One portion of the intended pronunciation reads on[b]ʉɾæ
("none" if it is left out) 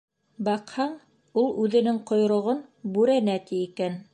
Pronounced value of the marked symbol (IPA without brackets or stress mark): b